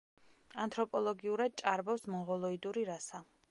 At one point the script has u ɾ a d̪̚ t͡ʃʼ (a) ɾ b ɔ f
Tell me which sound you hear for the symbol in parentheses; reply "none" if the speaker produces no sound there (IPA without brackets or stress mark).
a